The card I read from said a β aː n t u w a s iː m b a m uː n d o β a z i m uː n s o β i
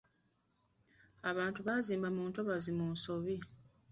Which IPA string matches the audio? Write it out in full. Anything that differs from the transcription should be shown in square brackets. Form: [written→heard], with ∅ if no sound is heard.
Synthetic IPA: a β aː n t u [w→β] a [s→z] iː m b a m uː n [d→t] o β a z i m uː n s o β i